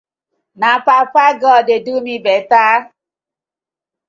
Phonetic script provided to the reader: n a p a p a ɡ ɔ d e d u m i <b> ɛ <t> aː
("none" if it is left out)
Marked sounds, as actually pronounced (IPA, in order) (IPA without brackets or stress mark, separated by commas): b, t